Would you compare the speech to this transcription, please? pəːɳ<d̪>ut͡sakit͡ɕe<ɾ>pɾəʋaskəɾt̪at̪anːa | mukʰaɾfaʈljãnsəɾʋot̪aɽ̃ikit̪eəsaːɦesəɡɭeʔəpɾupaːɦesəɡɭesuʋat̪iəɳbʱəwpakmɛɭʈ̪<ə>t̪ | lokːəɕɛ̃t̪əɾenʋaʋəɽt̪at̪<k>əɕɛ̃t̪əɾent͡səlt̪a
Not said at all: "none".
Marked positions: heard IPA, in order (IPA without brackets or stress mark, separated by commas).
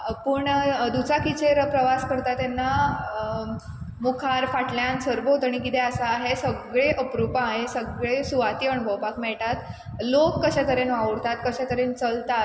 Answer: d̪, ɾ, a, k